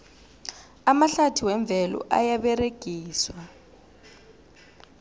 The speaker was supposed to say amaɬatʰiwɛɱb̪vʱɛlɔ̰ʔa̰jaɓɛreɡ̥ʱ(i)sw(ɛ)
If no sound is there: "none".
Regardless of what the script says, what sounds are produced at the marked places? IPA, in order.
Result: iː, a

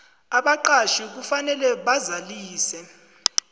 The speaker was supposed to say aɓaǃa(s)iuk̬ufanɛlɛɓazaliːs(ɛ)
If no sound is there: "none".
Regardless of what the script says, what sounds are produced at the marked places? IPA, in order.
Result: ʃ, ɛ

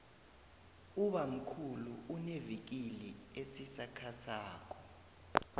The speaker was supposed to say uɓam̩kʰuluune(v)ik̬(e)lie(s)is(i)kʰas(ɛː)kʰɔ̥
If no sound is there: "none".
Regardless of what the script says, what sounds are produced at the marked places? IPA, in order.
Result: v, i, s, a, aː

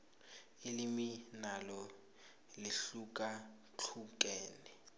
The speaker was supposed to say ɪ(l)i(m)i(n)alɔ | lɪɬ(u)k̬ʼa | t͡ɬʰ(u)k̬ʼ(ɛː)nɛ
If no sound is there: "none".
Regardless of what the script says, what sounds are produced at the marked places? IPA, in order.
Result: l, m, n, u, u, ɛː

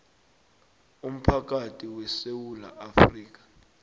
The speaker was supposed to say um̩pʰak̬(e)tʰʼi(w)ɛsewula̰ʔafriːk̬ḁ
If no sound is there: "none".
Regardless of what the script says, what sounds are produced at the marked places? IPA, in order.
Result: a, w

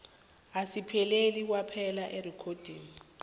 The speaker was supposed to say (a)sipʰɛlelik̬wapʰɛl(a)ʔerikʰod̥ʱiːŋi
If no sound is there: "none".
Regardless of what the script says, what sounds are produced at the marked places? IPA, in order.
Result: a, a

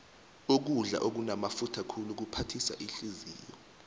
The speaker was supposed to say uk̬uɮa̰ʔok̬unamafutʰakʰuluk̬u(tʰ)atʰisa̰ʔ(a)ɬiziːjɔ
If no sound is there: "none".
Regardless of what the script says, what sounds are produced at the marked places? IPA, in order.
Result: pʰ, i

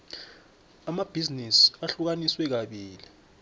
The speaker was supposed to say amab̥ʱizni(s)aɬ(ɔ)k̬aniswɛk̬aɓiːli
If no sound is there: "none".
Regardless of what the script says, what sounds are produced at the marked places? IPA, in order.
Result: s, u

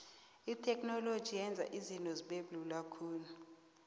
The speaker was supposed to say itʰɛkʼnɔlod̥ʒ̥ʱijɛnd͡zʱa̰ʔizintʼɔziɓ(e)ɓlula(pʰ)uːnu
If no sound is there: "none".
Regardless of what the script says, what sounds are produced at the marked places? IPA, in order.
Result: e, kʰ

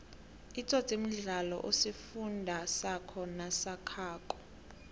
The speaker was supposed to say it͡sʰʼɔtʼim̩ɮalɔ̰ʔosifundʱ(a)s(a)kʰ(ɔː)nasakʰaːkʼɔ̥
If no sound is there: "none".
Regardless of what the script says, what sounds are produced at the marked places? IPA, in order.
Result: a, a, ɔ

